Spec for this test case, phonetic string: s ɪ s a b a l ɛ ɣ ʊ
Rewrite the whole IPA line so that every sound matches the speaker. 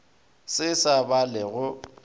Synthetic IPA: s ɪ s a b a l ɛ ɣ ʊ